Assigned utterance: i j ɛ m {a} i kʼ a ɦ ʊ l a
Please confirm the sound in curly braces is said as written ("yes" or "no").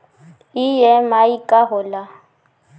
yes